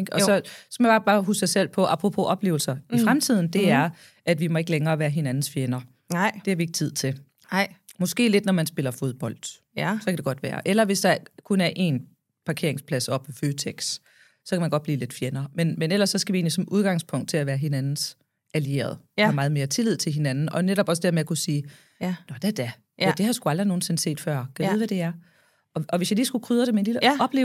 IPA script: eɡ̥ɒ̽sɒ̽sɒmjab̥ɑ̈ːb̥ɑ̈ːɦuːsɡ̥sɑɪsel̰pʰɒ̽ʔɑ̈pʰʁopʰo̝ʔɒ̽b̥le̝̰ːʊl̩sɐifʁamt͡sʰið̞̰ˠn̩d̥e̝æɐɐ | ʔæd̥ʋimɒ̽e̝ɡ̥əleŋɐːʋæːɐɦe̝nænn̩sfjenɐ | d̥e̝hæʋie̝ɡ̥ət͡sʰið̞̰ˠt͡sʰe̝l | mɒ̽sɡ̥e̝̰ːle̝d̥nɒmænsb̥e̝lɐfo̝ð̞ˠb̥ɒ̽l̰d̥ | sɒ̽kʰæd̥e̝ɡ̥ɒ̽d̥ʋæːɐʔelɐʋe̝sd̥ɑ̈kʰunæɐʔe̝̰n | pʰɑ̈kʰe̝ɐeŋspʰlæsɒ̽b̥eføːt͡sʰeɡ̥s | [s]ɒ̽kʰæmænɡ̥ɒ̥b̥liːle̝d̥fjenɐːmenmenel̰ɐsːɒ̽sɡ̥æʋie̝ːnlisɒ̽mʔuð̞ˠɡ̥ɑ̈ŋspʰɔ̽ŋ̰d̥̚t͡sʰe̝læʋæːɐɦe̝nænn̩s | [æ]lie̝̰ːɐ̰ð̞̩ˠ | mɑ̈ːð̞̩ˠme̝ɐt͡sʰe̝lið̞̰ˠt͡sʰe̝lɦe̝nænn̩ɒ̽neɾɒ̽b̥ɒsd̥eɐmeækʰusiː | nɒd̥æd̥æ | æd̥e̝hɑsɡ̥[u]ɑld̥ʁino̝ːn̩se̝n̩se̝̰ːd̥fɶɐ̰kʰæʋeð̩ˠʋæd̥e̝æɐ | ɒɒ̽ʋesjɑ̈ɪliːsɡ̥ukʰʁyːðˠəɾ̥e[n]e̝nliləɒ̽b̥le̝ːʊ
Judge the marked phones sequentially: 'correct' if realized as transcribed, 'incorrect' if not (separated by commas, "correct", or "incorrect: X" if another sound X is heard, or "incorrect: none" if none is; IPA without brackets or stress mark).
correct, correct, correct, incorrect: m